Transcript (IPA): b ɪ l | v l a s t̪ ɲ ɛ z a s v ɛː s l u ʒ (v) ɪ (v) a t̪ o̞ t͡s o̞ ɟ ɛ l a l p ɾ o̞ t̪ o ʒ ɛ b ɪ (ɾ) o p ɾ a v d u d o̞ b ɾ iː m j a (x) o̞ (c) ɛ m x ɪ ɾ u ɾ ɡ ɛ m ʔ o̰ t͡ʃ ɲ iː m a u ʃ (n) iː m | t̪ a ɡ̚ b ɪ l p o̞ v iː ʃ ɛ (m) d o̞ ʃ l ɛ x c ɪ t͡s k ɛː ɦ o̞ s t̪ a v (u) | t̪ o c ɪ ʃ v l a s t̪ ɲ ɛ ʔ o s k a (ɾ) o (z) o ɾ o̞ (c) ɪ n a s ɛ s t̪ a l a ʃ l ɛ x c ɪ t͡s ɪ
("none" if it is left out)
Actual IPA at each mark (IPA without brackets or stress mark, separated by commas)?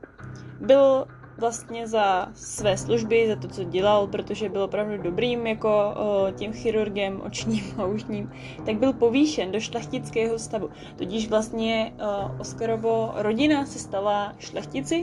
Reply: b, z, l, k, c, ɲ, n, u, ɾ, v, ɟ